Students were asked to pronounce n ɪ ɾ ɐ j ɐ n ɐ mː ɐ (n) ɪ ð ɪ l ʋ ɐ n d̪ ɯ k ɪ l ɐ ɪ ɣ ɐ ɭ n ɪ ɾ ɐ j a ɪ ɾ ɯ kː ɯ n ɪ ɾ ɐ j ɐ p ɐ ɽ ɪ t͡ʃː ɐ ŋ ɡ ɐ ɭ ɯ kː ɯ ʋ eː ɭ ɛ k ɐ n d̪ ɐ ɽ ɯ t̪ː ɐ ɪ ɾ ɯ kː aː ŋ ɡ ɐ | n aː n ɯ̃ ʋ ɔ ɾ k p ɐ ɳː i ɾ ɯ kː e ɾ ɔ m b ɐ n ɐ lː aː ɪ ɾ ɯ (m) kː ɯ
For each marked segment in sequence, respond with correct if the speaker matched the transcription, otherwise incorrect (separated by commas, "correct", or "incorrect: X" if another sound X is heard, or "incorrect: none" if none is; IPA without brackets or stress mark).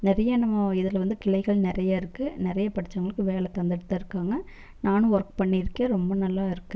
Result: incorrect: none, incorrect: none